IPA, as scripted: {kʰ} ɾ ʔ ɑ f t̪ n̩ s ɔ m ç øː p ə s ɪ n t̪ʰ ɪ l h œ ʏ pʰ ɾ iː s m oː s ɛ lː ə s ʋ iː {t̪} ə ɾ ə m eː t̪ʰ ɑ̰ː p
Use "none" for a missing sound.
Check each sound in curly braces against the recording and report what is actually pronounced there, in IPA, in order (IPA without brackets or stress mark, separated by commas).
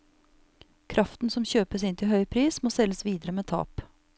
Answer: kʰ, d̪